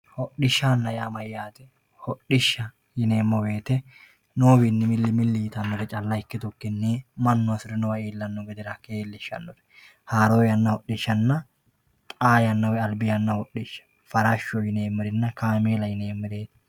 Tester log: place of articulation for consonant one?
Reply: glottal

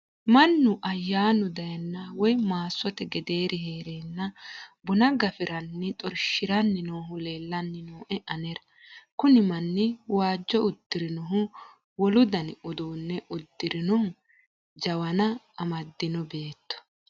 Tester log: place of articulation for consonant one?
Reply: labial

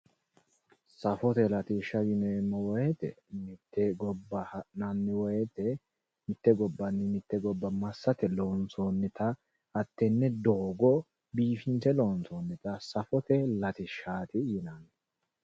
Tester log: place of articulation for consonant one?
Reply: alveolar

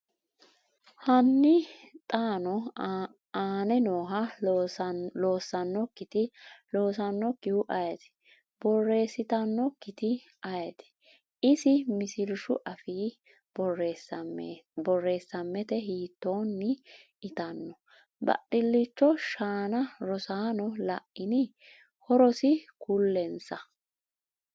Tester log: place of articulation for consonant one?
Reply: glottal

